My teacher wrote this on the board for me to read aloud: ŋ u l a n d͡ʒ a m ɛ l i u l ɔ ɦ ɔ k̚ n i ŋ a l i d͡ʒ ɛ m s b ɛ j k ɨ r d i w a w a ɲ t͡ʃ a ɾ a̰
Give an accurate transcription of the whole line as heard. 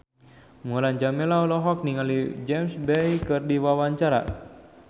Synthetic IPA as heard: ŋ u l a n d͡ʒ a m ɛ l a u l ɔ ɦ ɔ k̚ n i ŋ a l i d͡ʒ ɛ m s b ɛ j k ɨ r d i w a w a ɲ t͡ʃ a ɾ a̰

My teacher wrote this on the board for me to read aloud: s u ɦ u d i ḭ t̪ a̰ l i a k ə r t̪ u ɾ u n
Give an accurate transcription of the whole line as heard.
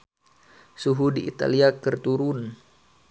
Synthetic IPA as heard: s u ɦ u d i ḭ t̪ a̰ l i a k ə r t̪ u ɾ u n

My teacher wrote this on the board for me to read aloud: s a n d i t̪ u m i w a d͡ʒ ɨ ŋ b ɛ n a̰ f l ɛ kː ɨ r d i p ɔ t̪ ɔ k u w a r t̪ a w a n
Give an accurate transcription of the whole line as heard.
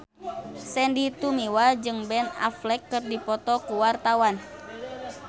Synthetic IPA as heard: s ɛ n d i t̪ u m i w a d͡ʒ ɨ ŋ b ɛ n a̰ f l ɛ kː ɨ r d i p ɔ t̪ ɔ k u w a r t̪ a w a n

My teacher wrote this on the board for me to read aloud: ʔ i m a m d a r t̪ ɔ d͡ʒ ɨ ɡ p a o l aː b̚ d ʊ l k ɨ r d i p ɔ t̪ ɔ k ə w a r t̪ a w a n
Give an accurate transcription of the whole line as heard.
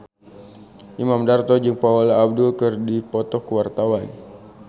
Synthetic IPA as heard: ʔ i m a m d a r t̪ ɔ d͡ʒ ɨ ŋ p a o l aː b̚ d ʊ l k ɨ r d i p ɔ t̪ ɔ k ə w a r t̪ a w a n

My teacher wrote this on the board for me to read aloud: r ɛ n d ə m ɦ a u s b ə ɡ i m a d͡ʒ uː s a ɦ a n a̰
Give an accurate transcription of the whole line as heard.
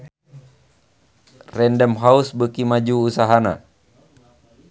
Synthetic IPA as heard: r ɛ n d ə m ɦ a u s b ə k i m a d͡ʒ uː s a ɦ a n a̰

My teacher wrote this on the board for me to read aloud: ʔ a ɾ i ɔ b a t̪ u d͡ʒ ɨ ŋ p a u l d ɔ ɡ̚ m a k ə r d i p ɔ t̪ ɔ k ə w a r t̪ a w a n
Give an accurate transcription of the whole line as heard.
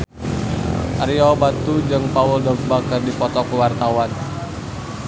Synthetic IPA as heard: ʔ a ɾ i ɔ b a t̪ u d͡ʒ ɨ ŋ p a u l d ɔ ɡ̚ b a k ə r d i p ɔ t̪ ɔ k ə w a r t̪ a w a n

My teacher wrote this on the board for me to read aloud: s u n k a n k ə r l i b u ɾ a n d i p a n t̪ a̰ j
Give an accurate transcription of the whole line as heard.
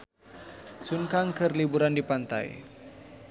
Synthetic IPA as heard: s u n k a ŋ k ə r l i b u ɾ a n d i p a n t̪ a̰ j

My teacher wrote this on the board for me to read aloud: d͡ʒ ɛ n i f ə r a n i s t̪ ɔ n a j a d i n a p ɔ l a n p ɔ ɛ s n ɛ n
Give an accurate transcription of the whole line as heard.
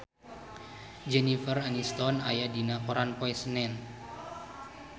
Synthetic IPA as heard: d͡ʒ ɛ n i f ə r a n i s t̪ ɔ n a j a d i n a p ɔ ɾ a n p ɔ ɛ s n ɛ n

